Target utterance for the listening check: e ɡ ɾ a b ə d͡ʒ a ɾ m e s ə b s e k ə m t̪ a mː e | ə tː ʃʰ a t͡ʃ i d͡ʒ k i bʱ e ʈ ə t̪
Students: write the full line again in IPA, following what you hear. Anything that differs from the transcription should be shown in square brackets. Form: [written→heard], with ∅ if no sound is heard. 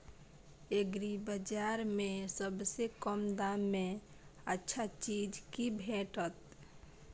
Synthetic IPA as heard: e ɡ ɾ [a→i] b ə d͡ʒ a ɾ m e s ə b s e k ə m [t̪→d̪] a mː e | ə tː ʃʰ a t͡ʃ i d͡ʒ k i bʱ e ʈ ə t̪